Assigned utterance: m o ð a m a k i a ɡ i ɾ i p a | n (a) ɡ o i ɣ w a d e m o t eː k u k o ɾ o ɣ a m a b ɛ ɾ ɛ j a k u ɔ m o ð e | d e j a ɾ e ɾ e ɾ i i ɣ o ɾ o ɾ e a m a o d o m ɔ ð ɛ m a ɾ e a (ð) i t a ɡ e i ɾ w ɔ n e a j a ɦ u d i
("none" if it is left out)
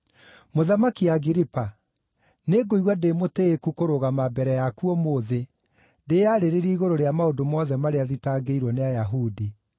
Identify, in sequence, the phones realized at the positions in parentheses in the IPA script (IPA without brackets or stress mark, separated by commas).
e, ð